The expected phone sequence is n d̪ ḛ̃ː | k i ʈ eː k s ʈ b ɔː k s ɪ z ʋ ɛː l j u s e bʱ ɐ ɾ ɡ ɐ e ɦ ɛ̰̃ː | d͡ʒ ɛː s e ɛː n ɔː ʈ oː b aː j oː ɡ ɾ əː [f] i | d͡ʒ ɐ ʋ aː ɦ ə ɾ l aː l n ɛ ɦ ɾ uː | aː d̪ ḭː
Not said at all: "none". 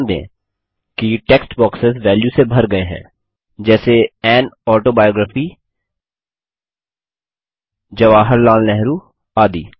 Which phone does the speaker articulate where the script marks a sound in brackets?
f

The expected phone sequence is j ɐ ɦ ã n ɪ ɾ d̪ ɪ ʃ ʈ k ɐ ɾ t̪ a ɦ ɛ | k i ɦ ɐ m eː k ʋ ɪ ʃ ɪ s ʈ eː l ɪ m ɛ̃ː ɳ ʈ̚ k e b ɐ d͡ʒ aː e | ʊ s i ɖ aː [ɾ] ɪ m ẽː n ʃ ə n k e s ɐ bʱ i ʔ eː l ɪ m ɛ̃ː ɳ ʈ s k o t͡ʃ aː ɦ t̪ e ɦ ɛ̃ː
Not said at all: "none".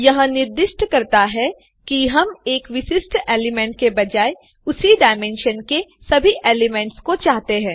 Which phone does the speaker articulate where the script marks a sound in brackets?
none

